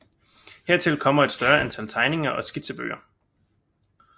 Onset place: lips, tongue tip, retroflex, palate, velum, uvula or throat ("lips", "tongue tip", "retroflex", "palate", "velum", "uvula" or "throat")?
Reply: throat